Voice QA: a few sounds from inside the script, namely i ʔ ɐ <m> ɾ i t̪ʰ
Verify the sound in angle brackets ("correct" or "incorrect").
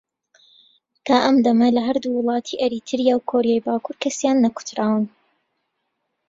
incorrect